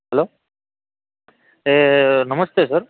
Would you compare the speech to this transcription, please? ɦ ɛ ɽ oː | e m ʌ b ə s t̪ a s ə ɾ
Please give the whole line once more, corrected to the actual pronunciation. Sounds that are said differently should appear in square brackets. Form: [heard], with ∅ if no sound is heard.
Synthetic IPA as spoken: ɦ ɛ [l] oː | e [n] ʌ [m] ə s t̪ [e] s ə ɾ